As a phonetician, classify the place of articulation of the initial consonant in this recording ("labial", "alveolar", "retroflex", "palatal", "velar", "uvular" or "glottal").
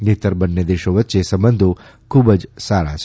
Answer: alveolar